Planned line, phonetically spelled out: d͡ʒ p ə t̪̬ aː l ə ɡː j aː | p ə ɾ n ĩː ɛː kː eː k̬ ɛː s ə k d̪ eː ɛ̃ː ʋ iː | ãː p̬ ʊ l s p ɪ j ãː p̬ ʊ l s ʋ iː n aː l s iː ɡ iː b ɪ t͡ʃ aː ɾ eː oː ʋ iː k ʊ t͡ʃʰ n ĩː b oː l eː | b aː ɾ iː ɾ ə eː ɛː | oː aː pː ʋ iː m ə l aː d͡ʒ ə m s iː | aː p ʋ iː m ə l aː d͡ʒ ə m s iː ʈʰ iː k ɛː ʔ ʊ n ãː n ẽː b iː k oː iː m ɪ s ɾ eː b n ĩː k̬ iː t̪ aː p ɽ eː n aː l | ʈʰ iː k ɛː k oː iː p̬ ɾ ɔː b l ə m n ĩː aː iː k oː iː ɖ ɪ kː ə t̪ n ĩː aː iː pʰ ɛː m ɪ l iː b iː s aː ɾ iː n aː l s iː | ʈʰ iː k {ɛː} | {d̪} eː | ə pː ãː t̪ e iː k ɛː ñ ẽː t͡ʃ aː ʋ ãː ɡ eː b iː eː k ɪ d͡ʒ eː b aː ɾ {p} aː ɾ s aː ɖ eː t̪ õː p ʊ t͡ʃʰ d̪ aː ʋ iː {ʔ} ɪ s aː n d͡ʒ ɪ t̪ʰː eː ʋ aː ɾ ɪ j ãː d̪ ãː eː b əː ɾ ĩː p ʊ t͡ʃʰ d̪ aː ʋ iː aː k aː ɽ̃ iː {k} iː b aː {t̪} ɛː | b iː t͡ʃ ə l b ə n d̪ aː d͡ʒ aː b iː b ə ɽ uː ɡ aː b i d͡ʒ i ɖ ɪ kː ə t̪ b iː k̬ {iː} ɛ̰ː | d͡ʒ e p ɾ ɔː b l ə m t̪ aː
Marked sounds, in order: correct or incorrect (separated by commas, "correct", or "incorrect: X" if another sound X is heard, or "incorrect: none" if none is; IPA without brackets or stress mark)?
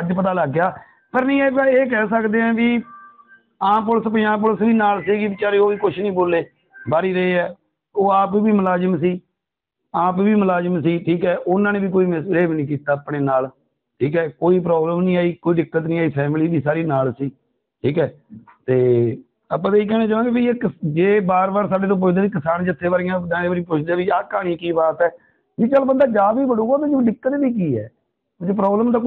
correct, incorrect: t̪, incorrect: b, incorrect: k, correct, correct, correct